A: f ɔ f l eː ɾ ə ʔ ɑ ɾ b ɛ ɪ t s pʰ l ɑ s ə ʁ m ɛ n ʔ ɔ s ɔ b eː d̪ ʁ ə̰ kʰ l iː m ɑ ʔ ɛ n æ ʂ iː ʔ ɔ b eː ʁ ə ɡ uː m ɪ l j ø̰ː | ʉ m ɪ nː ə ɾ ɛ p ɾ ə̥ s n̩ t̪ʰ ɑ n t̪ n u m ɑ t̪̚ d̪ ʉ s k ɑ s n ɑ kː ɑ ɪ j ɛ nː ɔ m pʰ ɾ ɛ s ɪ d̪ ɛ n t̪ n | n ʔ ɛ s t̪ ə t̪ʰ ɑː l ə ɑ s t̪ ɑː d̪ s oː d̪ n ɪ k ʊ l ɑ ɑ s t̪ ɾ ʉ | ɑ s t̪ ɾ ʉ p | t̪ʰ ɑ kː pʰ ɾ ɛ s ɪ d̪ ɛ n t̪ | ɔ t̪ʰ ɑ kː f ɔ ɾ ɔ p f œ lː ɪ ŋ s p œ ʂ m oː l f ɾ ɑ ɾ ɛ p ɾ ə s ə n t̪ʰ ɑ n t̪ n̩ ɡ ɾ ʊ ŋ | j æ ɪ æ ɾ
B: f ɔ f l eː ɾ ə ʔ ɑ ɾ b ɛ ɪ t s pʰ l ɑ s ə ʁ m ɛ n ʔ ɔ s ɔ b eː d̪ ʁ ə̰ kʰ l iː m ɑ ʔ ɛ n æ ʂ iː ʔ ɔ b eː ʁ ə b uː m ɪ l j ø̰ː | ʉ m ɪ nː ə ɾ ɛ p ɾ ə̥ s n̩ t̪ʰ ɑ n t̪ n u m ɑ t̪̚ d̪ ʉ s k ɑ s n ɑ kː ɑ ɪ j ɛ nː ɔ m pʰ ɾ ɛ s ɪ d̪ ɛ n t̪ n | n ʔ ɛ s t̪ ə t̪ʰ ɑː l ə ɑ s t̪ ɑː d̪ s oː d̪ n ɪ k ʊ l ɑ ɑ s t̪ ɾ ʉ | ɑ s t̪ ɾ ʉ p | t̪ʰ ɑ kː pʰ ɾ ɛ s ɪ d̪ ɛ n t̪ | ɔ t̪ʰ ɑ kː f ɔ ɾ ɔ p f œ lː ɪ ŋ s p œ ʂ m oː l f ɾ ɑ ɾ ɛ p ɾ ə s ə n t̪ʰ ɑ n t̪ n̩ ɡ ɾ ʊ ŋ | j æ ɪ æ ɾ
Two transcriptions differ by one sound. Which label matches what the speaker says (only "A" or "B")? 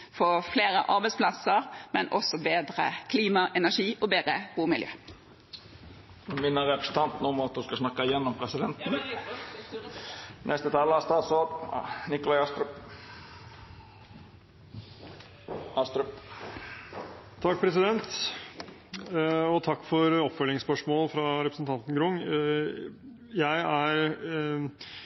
A